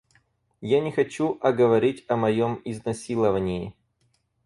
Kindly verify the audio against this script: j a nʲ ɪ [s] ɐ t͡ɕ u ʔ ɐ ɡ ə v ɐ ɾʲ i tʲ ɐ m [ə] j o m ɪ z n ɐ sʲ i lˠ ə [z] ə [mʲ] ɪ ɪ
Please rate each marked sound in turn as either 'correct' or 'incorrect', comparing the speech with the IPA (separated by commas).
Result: incorrect, incorrect, incorrect, incorrect